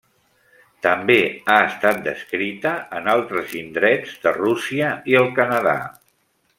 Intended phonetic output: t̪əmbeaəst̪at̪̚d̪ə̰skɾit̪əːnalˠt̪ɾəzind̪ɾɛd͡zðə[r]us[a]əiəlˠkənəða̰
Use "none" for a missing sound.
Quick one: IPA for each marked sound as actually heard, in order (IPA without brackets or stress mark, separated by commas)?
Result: r, i